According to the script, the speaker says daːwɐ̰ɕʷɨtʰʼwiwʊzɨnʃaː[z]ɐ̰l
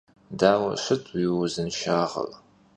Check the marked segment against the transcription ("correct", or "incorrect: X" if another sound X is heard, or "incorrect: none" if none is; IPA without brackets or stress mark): incorrect: ʁ